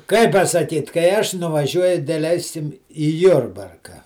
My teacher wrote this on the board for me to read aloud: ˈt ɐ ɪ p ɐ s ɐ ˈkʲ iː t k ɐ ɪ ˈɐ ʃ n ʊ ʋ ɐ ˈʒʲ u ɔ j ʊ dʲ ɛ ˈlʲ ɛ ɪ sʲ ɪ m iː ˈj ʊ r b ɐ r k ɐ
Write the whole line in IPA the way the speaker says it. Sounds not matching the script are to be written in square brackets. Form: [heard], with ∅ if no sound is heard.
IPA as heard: [ˈk] ɐ ɪ p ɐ s ɐ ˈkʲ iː t k ɐ ɪ ˈɐ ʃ n ʊ ʋ ɐ ˈʒʲ u ɔ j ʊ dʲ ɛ ˈlʲ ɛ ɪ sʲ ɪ m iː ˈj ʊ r b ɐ r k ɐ